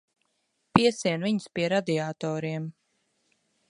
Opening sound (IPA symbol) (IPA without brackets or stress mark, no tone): p